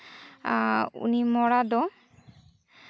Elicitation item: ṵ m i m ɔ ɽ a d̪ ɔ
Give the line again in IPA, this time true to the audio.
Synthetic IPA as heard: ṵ n i m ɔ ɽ a d̪ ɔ